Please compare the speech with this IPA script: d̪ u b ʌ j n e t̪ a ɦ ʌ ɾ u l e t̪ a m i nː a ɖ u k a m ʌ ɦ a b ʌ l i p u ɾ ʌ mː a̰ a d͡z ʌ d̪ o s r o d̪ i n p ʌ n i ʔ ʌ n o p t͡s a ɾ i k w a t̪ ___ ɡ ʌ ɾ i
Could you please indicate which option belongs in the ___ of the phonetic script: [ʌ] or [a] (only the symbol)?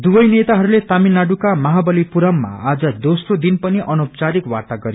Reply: a